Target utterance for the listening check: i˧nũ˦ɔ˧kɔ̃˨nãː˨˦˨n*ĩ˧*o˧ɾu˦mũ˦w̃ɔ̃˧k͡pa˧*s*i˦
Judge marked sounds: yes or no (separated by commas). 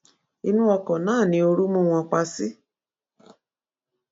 yes, yes